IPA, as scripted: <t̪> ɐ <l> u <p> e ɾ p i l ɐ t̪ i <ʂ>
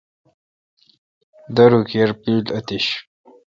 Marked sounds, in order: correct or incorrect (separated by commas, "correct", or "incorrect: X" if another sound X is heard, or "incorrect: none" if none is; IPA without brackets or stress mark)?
incorrect: d̪, incorrect: ɾ, incorrect: k, incorrect: ɕ